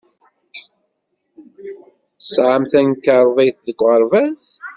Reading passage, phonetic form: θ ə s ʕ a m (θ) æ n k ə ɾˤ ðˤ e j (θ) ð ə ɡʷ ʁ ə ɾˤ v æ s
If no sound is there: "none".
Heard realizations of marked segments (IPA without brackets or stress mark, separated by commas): θ, θ